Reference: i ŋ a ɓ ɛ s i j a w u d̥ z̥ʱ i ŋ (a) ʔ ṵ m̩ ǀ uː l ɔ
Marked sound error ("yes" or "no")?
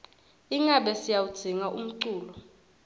no